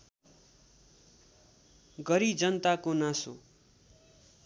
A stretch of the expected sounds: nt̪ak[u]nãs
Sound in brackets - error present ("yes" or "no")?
yes